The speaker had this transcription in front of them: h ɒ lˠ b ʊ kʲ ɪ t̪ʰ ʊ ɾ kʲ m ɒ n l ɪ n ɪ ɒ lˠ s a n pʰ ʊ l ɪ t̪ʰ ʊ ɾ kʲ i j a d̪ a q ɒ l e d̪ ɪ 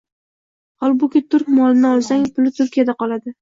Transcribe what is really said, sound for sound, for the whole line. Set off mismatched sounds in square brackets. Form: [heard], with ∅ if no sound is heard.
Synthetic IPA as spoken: h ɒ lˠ b ʊ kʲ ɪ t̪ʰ ʊ ɾ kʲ m ɒ [∅] l ɪ n ɪ ɒ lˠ s a [ŋ] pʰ ʊ l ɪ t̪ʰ ʊ ɾ kʲ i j a d̪ a q ɒ l [a] d̪ ɪ